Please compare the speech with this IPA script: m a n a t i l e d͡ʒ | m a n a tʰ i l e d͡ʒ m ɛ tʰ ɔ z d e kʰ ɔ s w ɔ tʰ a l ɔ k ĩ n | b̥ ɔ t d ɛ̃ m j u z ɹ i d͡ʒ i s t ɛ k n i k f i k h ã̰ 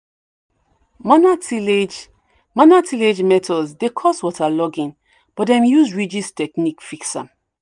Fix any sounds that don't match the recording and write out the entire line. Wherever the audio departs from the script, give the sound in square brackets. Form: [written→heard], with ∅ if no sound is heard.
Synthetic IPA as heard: m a n a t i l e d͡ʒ | m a n a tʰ i l e d͡ʒ m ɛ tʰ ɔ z d e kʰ ɔ s w ɔ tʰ a l ɔ [k→ɡ] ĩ n | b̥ ɔ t d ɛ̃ m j u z ɹ i d͡ʒ i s t ɛ k n i k f i k [h→s] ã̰